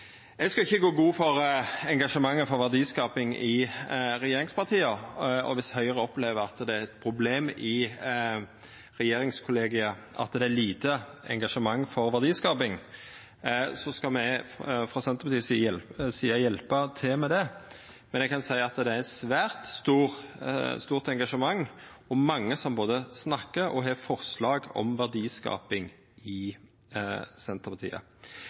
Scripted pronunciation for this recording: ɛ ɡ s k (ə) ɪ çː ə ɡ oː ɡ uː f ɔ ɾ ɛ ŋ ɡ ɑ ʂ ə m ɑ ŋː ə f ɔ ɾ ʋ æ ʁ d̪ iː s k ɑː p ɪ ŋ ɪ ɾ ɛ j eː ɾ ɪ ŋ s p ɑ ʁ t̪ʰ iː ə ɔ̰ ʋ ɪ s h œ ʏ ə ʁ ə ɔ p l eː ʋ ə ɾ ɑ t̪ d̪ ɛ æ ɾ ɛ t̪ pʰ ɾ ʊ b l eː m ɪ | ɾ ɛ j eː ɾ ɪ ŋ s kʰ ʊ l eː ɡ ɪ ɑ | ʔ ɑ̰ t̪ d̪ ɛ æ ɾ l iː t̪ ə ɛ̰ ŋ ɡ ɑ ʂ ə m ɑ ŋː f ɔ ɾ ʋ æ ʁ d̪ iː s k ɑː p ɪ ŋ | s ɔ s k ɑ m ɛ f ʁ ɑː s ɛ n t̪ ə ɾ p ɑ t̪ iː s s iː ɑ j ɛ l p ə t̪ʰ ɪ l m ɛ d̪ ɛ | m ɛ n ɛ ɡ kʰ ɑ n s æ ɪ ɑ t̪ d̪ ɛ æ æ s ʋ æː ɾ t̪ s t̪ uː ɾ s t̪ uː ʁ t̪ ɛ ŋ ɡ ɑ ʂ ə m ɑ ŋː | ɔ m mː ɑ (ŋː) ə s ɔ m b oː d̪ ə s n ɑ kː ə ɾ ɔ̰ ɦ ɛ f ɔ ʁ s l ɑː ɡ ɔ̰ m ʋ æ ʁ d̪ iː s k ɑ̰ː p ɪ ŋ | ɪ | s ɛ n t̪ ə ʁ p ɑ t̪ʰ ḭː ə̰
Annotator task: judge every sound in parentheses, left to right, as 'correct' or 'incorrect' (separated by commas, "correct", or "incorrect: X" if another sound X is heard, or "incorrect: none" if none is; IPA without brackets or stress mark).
incorrect: ɑ, correct